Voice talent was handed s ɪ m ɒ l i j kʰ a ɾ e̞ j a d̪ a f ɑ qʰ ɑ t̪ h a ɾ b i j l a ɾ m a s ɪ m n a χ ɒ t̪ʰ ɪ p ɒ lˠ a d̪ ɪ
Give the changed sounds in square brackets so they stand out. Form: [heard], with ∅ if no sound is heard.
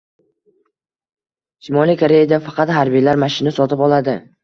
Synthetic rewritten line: [ʃ] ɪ m ɒ l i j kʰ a ɾ e̞ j a d̪ a f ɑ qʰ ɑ t̪ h a ɾ b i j l a ɾ m a [ʃ] ɪ [∅] n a [s] ɒ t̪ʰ ɪ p ɒ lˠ a d̪ ɪ